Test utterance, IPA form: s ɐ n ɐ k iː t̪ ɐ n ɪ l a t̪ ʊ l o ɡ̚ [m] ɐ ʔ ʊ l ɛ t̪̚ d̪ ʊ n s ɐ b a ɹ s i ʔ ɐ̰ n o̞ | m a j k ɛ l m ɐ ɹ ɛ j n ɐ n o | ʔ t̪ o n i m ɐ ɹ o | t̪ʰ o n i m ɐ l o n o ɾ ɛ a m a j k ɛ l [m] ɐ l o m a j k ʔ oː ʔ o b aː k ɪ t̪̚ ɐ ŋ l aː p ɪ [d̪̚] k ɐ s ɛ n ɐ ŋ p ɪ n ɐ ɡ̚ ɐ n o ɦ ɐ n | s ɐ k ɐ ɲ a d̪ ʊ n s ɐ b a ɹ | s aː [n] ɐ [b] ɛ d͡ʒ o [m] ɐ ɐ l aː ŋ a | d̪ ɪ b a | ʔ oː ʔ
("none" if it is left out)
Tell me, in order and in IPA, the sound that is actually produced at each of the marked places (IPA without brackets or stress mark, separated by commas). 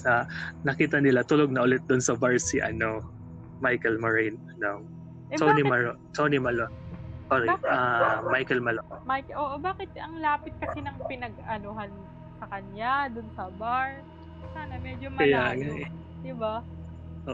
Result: n, m, t̪̚, n, m, m